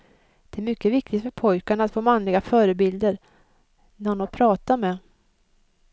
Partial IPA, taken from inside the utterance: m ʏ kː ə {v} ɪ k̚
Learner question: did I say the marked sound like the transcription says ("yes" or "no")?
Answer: yes